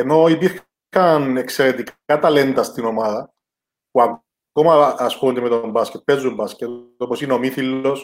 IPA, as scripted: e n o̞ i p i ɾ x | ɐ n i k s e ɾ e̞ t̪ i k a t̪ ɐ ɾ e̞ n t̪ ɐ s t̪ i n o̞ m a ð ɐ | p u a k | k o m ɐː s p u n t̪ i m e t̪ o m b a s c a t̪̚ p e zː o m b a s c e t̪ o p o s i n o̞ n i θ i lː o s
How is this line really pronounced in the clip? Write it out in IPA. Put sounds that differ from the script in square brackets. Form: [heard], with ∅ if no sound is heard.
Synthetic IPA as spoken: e n o̞ i p i ɾ x | ɐ n [e] k s e ɾ e̞ t̪ i k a t̪ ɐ [l] e̞ n t̪ ɐ s t̪ i n o̞ m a ð ɐ | p u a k | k o m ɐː s p u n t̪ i m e t̪ o m b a s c [e] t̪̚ p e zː [u] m b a s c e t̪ o p o s i n o̞ [m] i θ i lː o s